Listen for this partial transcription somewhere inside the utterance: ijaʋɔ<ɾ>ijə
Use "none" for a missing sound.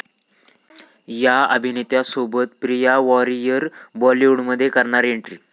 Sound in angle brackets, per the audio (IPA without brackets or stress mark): ɾ